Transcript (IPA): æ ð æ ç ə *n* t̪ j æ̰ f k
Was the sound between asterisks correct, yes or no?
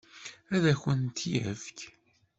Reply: yes